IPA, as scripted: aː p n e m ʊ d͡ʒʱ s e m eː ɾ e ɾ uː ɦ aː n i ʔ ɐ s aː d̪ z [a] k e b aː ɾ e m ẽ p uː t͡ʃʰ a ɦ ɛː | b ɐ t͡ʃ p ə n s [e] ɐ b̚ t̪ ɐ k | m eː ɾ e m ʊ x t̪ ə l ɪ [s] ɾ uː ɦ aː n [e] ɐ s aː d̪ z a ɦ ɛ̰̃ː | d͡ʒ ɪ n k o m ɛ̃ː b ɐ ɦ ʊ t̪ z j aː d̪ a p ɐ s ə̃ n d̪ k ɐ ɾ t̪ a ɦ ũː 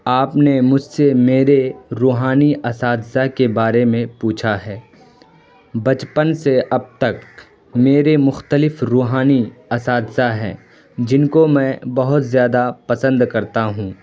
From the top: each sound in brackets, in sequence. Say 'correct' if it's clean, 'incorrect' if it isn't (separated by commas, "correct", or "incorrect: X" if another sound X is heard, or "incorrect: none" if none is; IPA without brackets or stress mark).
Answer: correct, correct, incorrect: f, incorrect: i